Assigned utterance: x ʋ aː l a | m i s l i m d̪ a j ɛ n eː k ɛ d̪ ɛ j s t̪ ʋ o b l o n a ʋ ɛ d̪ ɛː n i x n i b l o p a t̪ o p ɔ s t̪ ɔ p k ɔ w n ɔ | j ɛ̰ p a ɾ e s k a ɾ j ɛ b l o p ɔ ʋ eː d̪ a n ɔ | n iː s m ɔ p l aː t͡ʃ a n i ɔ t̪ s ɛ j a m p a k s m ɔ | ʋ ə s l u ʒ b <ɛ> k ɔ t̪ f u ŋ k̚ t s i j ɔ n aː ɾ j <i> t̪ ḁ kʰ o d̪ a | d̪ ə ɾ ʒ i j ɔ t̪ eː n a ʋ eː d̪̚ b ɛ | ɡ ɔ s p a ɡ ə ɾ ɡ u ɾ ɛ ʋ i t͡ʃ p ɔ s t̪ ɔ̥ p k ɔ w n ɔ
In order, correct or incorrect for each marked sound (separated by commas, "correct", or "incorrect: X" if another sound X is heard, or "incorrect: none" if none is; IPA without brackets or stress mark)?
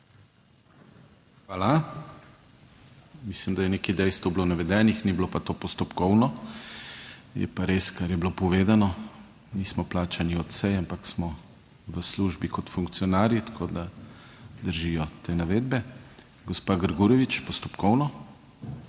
incorrect: i, correct